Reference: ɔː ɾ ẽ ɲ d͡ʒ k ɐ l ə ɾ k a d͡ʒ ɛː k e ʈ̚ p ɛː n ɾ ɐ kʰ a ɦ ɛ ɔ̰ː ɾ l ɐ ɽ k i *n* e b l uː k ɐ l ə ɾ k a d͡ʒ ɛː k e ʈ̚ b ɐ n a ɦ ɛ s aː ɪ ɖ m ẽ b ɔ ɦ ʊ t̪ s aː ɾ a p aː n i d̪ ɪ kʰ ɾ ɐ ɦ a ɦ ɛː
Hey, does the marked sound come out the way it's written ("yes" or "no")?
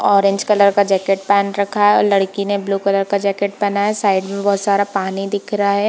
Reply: yes